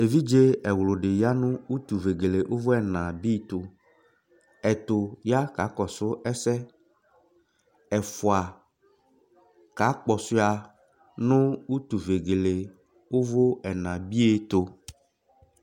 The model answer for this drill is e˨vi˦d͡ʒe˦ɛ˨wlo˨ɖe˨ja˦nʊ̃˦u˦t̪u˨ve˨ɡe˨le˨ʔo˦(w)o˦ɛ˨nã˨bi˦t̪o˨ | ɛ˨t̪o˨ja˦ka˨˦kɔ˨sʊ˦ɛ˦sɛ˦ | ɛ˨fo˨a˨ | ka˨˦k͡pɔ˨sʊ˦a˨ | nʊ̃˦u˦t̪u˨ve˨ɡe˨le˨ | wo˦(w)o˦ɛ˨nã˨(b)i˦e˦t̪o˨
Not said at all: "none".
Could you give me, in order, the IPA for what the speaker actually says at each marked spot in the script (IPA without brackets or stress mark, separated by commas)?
v, v, b